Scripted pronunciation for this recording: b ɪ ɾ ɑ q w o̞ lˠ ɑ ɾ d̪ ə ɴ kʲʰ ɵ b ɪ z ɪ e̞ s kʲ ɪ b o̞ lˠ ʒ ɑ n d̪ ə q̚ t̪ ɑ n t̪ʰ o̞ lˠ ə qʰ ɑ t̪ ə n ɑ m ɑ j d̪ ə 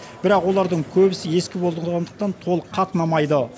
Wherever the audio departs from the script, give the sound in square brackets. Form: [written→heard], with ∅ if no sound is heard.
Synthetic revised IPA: b ɪ ɾ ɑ q w o̞ lˠ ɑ ɾ d̪ ə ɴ kʲʰ ɵ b ɪ [z→s] ɪ e̞ s kʲ ɪ b o̞ lˠ [ʒ→ʁ] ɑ n d̪ ə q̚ t̪ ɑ n t̪ʰ o̞ lˠ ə qʰ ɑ t̪ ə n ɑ m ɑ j d̪ ə